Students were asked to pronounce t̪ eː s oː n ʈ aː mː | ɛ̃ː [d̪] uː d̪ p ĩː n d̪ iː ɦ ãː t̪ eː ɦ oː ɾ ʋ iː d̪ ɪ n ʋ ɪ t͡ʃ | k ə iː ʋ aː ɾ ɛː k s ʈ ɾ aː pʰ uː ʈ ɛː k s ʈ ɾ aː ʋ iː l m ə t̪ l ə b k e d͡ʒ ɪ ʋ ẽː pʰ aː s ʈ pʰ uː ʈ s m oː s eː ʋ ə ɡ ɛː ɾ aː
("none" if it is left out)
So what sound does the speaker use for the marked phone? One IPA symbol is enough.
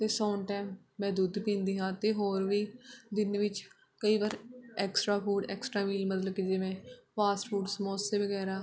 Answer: d̪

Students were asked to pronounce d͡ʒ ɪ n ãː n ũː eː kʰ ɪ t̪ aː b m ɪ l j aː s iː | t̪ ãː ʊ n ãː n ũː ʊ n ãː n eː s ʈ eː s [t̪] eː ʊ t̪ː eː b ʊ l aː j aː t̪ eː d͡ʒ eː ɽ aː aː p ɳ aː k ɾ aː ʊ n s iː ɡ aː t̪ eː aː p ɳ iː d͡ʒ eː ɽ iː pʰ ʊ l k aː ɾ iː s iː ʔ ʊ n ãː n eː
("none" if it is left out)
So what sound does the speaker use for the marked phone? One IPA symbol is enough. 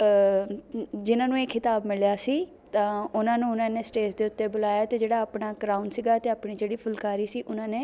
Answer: d̪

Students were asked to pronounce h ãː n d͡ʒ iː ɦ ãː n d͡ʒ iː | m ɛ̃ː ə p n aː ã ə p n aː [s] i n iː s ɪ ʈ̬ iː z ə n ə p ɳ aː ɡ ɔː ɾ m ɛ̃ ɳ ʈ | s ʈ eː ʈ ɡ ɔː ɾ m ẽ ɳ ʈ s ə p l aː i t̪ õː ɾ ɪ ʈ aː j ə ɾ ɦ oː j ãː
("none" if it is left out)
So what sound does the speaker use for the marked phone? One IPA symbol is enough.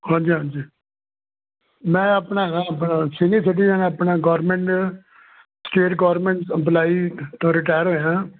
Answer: s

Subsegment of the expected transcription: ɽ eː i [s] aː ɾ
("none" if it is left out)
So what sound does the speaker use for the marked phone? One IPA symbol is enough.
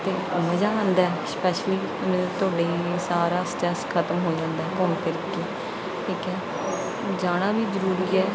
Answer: s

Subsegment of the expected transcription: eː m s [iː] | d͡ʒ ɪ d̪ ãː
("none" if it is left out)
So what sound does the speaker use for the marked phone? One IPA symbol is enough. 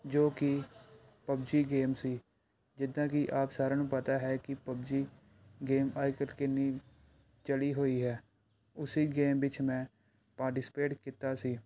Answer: iː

